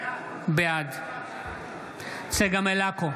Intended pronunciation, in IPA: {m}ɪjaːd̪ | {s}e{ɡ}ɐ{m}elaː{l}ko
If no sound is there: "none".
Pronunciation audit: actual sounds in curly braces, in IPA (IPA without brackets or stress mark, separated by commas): b, s, ɡ, m, none